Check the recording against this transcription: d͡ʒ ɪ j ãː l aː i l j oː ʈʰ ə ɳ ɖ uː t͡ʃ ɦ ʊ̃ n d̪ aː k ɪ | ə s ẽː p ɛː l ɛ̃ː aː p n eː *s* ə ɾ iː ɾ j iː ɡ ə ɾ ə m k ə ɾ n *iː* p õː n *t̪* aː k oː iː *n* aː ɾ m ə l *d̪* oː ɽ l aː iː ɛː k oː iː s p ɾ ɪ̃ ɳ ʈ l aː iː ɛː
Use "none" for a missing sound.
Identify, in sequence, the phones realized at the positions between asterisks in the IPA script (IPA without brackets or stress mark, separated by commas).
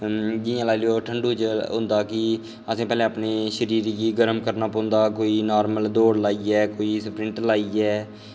ʃ, aː, d̪, n, d̪